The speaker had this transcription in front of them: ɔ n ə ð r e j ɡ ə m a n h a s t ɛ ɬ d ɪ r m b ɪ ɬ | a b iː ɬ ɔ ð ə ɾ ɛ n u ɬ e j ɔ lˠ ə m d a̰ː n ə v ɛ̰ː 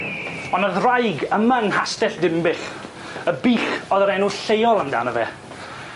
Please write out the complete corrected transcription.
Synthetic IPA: ɔ n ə ð r a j ɡ ə m a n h a s t ɛ ɬ d ɪ m b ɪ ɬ | ə b iː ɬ ɔ ð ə ɾ ɛ n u ɬ e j ɔ lˠ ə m d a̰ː n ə v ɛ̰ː